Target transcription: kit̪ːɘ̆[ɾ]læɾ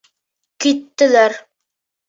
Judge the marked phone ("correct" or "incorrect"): incorrect